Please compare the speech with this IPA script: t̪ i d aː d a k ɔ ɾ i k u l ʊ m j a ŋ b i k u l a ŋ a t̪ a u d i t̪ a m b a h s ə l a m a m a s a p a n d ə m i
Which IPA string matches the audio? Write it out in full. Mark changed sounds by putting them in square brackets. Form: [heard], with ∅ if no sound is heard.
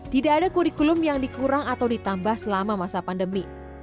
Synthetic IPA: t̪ i d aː d a k [u] ɾ i k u l ʊ m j a ŋ [d] i k u [ɾ] a ŋ a t̪ a [w] d i t̪ a m b a h s ə l a m a m a s a p a n d ə m i